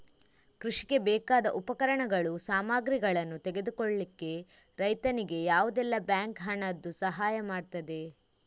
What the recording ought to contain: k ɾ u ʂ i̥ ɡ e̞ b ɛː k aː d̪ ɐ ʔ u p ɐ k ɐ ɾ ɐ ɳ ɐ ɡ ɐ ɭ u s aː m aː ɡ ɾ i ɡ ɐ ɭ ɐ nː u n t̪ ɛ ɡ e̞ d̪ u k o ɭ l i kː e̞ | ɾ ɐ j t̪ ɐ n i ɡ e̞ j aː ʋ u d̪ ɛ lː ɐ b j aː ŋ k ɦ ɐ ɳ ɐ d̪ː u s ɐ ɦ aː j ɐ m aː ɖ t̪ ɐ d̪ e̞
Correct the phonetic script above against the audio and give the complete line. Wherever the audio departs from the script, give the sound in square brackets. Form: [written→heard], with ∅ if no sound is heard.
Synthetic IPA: k ɾ u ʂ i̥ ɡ e̞ b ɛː k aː d̪ ɐ ʔ u p ɐ k ɐ ɾ ɐ ɳ ɐ ɡ ɐ ɭ u s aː m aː ɡ ɾ i ɡ ɐ ɭ ɐ nː u [n→∅] t̪ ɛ ɡ e̞ d̪ u k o ɭ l i kː e̞ | ɾ ɐ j t̪ ɐ n i ɡ e̞ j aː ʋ u d̪ ɛ lː ɐ b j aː ŋ k ɦ ɐ ɳ ɐ d̪ː u s ɐ ɦ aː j ɐ m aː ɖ t̪ ɐ d̪ e̞

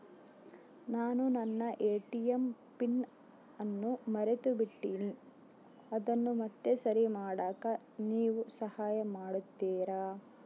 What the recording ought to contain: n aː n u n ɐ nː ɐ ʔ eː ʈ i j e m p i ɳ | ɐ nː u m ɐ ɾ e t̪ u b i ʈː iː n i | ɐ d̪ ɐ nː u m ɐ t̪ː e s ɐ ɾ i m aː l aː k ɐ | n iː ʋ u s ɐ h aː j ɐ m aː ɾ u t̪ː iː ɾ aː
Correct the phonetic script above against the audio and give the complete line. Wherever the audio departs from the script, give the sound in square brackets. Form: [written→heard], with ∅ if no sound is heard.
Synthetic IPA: n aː n u n ɐ nː ɐ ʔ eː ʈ i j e m p i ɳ | ɐ nː u m ɐ ɾ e t̪ u b i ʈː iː n i | ɐ d̪ ɐ nː u m ɐ t̪ː e s ɐ ɾ i m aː [l→ɽ] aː k ɐ | n iː ʋ u s ɐ h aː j ɐ m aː [ɾ→ɽ] u t̪ː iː ɾ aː

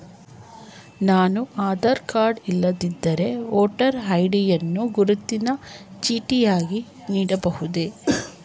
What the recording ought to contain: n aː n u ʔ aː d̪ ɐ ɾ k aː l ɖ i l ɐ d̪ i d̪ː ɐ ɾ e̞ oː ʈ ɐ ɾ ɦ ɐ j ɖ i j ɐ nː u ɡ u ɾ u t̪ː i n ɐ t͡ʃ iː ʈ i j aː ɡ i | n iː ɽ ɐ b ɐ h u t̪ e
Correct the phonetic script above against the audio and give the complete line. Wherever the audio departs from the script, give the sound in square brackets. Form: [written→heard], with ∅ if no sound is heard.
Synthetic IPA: n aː n u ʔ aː d̪ ɐ ɾ k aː [l→ɾ] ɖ i [l→lː] ɐ d̪ i d̪ː ɐ ɾ e̞ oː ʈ ɐ ɾ ɦ ɐ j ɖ i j ɐ nː u ɡ u ɾ u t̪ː i n ɐ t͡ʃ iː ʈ i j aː ɡ i | n iː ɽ ɐ b ɐ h u [t̪→d̪] e

